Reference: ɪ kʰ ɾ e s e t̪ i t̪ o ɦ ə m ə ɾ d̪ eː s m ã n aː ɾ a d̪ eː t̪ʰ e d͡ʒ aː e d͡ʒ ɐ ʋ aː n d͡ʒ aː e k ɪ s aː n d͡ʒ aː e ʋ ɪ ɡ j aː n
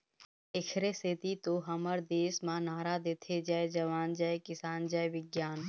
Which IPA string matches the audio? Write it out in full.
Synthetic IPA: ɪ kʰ ɾ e s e t̪ i t̪ o ɦ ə m ə ɾ d̪ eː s m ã n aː ɾ a d̪ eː t̪ʰ e d͡ʒ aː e d͡ʒ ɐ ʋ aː n d͡ʒ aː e k ɪ s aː n d͡ʒ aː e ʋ ɪ ɡ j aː n

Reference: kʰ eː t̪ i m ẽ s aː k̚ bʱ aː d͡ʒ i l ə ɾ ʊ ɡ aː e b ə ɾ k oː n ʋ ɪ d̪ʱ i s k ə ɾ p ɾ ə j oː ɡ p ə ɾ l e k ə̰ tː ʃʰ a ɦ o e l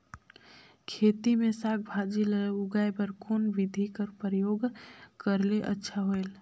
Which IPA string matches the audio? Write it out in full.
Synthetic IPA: kʰ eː t̪ i m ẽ s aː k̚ bʱ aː d͡ʒ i l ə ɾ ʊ ɡ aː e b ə ɾ k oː n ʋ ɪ d̪ʱ i k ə ɾ p ɾ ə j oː ɡ k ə ɾ l e ʔ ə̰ tː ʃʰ a ɦ o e l

